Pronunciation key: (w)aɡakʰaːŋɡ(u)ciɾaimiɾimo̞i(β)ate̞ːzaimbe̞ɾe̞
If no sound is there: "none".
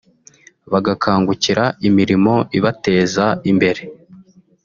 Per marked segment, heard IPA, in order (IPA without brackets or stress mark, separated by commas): β, u, β